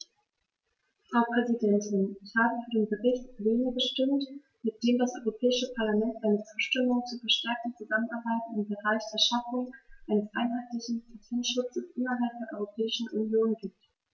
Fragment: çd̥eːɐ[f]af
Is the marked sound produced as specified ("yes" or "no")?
no